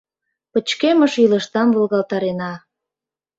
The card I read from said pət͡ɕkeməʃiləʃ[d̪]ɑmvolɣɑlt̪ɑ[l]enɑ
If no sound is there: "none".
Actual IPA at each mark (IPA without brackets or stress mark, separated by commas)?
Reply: t̪, ɾ